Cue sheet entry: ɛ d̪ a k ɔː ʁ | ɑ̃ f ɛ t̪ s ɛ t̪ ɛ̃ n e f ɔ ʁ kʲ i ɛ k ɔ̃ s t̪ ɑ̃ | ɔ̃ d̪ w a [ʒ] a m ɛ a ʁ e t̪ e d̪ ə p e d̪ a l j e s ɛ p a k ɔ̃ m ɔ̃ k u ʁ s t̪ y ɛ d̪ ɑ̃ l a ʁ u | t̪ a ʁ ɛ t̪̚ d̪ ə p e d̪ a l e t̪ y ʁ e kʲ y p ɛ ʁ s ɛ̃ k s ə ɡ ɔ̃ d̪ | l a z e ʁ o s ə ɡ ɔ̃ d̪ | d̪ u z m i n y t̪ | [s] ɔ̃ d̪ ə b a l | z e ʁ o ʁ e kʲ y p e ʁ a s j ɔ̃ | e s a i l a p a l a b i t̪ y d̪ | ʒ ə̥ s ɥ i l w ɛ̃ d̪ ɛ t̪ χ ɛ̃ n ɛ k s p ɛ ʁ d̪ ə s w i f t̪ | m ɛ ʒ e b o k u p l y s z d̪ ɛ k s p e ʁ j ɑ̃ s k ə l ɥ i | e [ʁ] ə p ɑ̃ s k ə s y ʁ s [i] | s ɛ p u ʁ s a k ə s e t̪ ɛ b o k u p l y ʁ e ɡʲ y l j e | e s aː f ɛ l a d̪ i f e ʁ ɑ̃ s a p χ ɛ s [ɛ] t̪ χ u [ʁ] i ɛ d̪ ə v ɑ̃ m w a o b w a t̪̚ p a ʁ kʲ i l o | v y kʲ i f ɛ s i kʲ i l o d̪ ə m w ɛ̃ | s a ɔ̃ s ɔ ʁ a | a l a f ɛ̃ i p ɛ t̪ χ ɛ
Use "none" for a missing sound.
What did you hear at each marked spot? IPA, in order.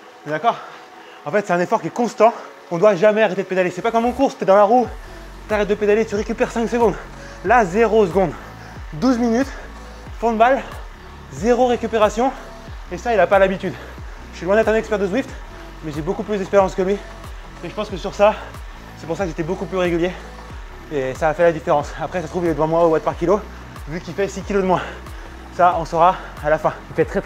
ʒ, f, ʒ, a, a, v

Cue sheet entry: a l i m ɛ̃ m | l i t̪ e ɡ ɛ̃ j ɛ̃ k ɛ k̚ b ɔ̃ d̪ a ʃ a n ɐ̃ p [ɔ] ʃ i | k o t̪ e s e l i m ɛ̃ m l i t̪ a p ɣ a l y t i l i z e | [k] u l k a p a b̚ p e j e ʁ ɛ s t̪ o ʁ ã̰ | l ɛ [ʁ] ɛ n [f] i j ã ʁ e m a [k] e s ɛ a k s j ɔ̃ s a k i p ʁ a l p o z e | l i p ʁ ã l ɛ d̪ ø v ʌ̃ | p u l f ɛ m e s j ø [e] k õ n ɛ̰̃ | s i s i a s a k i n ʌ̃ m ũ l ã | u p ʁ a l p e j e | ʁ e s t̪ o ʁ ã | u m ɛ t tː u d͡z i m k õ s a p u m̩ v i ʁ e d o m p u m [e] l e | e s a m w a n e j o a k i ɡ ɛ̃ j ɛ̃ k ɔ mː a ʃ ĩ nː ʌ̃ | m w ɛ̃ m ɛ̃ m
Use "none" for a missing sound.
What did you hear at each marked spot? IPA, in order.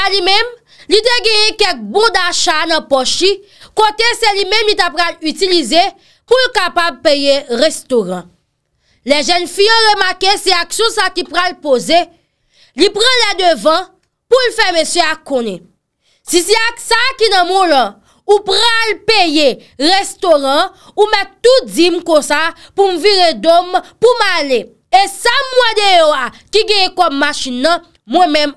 ɔ, p, ʒ, f, k, a, a

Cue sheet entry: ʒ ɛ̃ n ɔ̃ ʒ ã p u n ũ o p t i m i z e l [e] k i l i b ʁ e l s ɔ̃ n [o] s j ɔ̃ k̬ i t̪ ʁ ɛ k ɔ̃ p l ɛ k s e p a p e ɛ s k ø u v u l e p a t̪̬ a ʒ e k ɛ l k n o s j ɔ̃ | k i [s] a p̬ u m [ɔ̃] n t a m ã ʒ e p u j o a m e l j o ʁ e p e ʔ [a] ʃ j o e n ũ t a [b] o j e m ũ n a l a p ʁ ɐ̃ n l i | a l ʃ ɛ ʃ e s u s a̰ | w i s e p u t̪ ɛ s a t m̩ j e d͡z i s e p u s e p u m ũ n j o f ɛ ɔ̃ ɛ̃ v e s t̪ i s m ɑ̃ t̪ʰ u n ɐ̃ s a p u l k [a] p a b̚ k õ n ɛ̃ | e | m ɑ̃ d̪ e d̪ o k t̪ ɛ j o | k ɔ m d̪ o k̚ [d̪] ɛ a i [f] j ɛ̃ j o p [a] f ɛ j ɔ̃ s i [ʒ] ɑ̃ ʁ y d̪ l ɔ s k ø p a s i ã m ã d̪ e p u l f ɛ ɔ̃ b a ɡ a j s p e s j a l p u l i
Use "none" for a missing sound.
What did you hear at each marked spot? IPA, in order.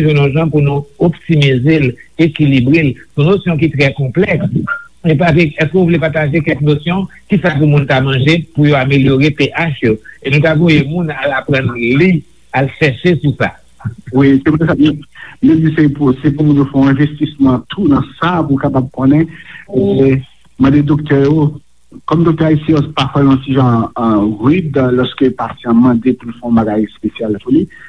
e, o, s, ũ, a, v, a, t̪, s, a, ʒ

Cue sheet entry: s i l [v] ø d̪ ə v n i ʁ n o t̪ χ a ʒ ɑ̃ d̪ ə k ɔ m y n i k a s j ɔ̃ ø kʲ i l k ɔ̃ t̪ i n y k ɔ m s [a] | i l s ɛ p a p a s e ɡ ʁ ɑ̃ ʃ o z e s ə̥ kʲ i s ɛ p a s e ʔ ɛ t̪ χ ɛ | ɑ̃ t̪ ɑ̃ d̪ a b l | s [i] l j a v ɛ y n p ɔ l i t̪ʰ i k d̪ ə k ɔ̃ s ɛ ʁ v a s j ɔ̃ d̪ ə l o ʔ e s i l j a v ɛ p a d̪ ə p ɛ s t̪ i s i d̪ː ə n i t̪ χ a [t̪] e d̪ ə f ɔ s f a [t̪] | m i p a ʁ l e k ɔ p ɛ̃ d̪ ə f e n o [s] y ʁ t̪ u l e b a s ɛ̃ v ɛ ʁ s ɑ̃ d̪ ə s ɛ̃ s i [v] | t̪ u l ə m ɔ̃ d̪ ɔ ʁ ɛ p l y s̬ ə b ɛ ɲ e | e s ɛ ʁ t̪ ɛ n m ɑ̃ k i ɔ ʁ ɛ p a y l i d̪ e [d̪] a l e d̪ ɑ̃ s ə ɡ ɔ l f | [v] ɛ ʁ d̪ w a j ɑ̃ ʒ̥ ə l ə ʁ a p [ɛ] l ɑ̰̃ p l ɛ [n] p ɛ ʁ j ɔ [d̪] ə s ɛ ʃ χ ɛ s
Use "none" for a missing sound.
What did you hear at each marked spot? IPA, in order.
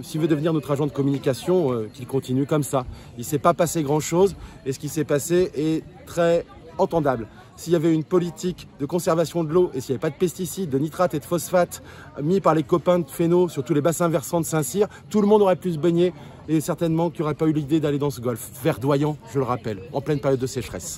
v, a, i, t̪, t̪, s, ʁ, d̪, v, ɛ, n, d̪ː

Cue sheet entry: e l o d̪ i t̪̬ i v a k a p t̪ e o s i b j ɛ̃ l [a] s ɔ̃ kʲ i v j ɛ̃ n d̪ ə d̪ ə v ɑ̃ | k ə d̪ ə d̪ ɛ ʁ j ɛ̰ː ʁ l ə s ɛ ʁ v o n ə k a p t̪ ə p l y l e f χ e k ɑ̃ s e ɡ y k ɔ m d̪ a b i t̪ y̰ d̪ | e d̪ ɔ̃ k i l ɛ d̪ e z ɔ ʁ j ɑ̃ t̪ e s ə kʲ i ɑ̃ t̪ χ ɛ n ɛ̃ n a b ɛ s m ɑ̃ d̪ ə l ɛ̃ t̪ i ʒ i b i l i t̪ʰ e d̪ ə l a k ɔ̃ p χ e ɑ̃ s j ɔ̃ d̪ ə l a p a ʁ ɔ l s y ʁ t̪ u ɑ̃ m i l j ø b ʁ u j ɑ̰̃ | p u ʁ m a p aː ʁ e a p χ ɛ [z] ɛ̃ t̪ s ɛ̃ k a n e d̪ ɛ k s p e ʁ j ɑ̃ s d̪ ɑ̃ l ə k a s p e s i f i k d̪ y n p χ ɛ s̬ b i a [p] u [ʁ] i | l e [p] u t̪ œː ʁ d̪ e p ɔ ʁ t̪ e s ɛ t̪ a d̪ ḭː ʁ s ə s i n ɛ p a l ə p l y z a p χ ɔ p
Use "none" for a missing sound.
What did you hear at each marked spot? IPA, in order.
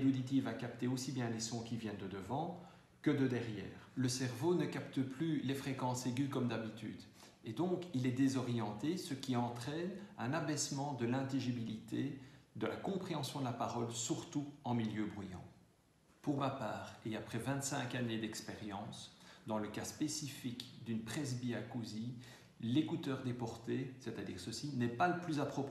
e, v, k, z, k

